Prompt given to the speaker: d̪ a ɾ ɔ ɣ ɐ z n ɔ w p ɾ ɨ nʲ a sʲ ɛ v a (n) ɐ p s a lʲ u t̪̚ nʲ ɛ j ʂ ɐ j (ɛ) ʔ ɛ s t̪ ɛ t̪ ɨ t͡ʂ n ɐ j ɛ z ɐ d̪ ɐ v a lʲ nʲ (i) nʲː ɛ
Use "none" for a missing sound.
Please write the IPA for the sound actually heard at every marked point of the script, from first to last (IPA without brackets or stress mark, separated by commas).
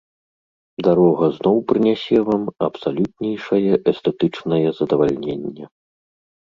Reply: m, ɛ, e